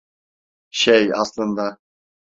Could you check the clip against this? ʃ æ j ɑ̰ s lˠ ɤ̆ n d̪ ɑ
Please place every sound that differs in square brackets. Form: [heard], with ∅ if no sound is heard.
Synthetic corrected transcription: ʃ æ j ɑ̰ s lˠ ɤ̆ n d̪ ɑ

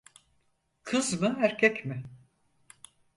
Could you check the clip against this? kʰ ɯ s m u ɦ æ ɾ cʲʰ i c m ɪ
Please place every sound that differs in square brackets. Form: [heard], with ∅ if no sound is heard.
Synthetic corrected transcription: kʰ ɯ [z] m [ɯ] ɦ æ ɾ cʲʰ [ɛ] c m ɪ

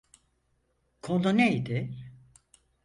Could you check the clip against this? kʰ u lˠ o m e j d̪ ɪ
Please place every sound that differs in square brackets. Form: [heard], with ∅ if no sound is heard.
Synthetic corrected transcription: kʰ [o] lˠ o [n] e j d̪ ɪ

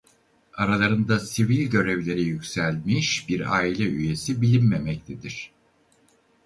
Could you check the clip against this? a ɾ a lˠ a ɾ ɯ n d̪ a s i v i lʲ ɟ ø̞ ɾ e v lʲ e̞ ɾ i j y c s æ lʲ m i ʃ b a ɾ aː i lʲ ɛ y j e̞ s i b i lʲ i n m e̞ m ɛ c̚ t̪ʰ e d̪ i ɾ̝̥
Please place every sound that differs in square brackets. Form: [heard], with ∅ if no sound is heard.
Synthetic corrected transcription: a ɾ a lˠ a ɾ ɯ n d̪ a s i v i lʲ ɟ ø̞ ɾ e v lʲ e̞ ɾ i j y c s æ lʲ m i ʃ b [i] ɾ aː i lʲ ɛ y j e̞ s i b i lʲ i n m e̞ m ɛ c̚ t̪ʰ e d̪ i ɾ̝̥

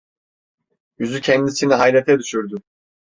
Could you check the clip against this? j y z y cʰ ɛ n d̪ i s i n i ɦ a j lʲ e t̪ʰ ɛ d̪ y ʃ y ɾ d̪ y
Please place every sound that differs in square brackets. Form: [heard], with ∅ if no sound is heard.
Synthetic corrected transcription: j y z y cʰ ɛ n d̪ i s i n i ɦ a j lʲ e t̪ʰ ɛ d̪ y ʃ y ɾ d̪ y

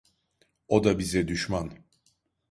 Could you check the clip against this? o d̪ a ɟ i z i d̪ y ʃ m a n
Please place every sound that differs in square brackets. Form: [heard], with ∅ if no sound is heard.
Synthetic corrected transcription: o d̪ a [b] i z [ɛ] d̪ y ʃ m a n

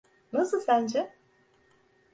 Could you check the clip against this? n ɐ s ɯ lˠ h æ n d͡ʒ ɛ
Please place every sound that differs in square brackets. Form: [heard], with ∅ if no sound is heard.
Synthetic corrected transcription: n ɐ s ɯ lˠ [s] æ n d͡ʒ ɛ

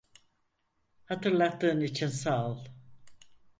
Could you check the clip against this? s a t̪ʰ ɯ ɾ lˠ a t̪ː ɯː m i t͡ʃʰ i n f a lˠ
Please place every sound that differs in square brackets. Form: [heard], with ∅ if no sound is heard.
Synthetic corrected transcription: [h] a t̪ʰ ɯ ɾ lˠ a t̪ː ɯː [n] i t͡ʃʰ i n [s] a lˠ

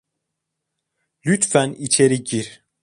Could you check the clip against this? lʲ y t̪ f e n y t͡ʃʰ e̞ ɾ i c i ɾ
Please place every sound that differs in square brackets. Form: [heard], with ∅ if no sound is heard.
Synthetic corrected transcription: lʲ y t̪ f [æ] n [i] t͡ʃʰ e̞ ɾ i [ɟ] i ɾ

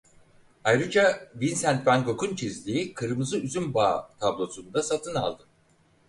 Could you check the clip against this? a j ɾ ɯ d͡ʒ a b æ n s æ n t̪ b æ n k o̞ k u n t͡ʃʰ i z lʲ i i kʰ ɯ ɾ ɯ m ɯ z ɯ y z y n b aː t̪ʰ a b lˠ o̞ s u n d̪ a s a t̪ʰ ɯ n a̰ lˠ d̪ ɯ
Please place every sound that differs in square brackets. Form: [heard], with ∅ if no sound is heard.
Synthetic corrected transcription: a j ɾ ɯ d͡ʒ a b [i] n s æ n t̪ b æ n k o̞ k u n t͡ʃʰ i z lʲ i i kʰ ɯ ɾ ɯ m ɯ z ɯ y z y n b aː t̪ʰ a b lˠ o̞ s u n d̪ a s a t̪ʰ ɯ n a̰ lˠ d̪ ɯ

